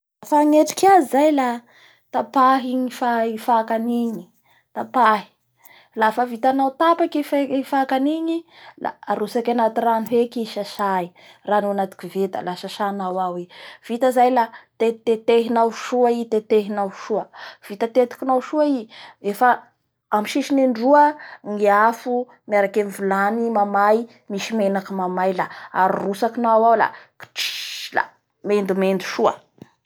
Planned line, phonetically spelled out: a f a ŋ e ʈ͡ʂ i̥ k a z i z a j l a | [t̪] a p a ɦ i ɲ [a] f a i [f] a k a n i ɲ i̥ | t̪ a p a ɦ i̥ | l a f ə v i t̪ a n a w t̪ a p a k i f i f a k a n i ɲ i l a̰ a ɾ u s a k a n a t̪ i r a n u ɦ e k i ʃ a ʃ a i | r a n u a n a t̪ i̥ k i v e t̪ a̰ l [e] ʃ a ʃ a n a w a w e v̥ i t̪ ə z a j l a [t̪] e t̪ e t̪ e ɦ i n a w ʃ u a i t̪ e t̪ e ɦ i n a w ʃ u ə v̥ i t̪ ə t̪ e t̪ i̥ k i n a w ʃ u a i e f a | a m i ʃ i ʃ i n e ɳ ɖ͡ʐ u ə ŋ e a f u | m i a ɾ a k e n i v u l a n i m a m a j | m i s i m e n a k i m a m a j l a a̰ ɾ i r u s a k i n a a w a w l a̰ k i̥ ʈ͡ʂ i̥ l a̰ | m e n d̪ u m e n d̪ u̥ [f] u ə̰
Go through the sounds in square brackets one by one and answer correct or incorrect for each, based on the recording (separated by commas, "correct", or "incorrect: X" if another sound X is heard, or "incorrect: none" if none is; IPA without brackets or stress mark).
correct, incorrect: i, correct, incorrect: a, correct, incorrect: ʃ